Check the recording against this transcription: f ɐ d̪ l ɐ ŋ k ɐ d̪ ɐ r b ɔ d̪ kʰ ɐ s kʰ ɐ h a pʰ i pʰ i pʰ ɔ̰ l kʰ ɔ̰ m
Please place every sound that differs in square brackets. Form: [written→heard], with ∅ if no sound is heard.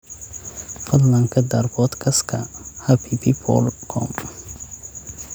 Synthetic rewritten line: f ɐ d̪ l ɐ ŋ [k→kʰ] ɐ d̪ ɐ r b ɔ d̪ kʰ ɐ s kʰ ɐ h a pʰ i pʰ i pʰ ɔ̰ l kʰ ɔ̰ m